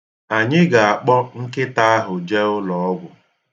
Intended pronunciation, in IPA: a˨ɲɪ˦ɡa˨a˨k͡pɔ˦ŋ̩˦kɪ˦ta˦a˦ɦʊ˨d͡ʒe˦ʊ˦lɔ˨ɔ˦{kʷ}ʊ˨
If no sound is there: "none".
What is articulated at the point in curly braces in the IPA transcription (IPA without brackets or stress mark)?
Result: ɡʷ